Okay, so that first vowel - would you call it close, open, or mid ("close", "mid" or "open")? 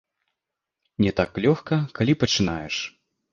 mid